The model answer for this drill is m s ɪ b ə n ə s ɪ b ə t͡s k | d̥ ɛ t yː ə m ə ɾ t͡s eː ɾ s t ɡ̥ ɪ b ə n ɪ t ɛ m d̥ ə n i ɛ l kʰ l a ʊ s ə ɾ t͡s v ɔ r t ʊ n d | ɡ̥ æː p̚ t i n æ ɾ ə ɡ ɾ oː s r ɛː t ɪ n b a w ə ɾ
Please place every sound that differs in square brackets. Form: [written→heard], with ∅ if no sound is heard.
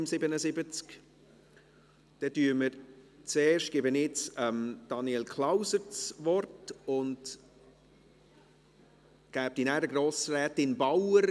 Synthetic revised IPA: m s ɪ b ə n ə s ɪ b ə t͡s k | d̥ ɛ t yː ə m ə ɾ t͡s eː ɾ [s→ʃ] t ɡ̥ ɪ b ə n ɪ [t→t͡s] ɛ m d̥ [ə→ɑ] n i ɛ l kʰ l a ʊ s ə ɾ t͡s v ɔ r t ʊ n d | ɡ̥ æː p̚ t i n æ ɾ ə ɡ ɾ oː s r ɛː t ɪ n b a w ə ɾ